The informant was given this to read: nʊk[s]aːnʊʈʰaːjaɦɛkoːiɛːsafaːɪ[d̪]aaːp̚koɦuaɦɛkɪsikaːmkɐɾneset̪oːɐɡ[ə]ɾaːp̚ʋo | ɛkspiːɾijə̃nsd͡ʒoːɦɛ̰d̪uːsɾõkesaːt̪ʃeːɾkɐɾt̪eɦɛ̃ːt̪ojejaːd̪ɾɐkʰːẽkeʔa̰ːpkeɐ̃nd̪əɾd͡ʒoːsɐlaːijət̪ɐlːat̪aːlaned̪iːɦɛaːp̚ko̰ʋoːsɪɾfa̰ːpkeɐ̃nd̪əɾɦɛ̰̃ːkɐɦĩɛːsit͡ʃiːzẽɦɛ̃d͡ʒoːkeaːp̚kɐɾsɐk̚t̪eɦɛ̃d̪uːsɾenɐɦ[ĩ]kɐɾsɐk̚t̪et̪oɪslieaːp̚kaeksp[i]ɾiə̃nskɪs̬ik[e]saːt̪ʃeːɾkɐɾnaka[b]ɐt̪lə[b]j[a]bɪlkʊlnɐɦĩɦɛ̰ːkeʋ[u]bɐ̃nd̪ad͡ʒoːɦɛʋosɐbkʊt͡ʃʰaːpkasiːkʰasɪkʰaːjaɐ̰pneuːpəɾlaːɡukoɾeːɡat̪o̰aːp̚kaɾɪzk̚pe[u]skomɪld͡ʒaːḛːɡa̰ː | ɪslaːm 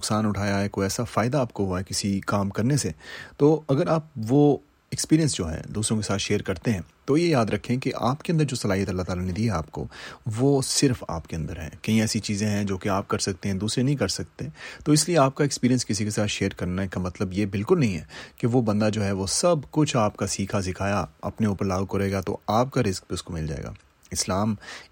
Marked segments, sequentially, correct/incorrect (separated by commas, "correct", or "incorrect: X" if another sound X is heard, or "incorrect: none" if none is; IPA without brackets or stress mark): correct, correct, correct, correct, incorrect: iː, correct, incorrect: m, correct, incorrect: e, incorrect: o, incorrect: ʊ